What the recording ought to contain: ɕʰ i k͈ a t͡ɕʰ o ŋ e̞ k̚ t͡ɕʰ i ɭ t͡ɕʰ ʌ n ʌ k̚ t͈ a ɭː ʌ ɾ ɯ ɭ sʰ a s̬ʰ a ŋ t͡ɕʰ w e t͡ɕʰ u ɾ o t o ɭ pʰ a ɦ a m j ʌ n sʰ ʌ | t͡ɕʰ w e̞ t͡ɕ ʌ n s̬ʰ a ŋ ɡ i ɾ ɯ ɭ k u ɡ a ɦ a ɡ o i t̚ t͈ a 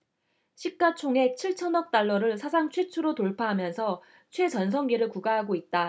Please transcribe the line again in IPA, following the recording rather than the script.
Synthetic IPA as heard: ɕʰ i k͈ a t͡ɕʰ o ŋ e̞ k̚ t͡ɕʰ i ɭ t͡ɕʰ ʌ n ʌ k̚ t͈ a ɭː ʌ ɾ ɯ ɭ sʰ a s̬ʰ a ŋ t͡ɕʰ w e t͡ɕʰ u ɾ o t o ɭ pʰ a ɦ a m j ʌ n sʰ ʌ | t͡ɕʰ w e̞ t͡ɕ ʌ n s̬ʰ ʌ ŋ ɡ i ɾ ɯ ɭ k u ɡ a ɦ a ɡ o i t̚ t͈ a